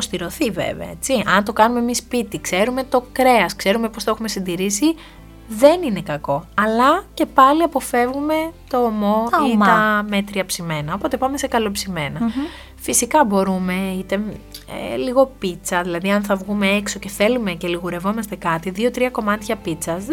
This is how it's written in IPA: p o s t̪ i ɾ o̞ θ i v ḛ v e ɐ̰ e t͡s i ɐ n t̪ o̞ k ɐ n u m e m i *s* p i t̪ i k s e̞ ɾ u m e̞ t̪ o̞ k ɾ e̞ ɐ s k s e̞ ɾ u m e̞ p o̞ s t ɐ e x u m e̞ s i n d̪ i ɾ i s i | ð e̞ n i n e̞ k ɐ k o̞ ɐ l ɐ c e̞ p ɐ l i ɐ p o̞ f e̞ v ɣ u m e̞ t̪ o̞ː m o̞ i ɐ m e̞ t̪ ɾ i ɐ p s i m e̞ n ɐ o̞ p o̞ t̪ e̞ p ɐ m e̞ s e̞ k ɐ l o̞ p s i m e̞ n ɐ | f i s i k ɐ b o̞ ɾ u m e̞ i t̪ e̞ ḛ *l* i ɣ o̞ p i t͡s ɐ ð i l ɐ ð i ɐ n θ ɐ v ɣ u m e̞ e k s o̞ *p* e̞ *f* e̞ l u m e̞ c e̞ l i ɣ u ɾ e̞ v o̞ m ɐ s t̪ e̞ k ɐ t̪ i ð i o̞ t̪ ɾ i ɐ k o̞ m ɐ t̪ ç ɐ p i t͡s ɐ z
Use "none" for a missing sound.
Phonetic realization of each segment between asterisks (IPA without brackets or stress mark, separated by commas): s, l, c, θ